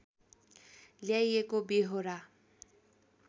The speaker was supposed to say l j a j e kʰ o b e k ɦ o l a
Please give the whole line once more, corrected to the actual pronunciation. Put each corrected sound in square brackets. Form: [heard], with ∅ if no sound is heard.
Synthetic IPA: l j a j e [k] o b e [∅] ɦ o [ɾ] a